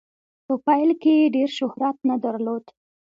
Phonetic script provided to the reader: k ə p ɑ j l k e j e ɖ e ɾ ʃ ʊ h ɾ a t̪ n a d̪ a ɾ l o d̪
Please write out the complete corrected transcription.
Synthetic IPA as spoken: p ə p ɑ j l k e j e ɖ e ɾ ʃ ʊ h ɾ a t̪ n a d̪ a ɾ l o d̪